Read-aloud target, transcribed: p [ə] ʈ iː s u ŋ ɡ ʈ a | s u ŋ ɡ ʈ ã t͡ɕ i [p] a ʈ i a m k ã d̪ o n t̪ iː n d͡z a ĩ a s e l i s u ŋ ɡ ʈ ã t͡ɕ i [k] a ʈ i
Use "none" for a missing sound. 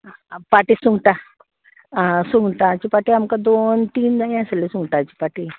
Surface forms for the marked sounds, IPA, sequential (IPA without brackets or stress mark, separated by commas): a, p, p